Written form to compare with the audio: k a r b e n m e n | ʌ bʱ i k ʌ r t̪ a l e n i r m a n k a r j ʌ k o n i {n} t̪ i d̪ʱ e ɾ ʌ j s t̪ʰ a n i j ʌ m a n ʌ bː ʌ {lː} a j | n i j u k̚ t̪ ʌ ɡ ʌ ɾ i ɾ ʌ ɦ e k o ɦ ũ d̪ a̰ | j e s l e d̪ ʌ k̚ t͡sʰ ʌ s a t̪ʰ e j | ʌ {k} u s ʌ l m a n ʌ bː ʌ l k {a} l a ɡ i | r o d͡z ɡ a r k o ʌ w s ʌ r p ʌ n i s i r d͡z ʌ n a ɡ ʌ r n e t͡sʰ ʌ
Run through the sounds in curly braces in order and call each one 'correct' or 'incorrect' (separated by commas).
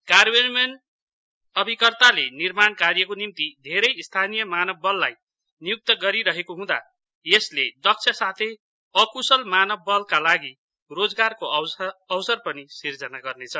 incorrect, correct, correct, correct